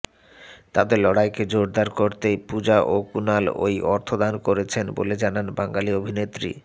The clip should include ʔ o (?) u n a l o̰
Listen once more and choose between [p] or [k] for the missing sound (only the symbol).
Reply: k